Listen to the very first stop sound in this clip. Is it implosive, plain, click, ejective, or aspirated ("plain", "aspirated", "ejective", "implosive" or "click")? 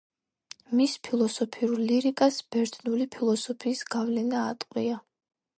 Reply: aspirated